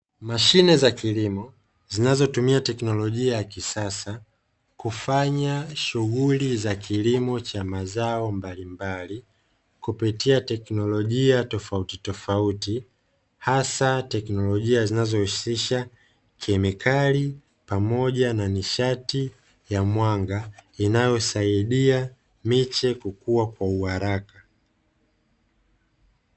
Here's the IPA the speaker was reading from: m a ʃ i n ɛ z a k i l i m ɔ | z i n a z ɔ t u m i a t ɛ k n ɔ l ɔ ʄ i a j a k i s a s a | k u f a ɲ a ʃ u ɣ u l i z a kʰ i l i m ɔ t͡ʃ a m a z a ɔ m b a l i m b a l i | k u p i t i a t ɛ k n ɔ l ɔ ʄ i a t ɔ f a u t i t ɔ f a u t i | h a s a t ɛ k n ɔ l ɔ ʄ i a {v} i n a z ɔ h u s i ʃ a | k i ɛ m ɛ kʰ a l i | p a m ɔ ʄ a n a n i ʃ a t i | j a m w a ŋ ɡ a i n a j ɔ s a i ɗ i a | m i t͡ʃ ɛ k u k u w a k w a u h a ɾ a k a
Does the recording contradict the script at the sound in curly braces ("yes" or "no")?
yes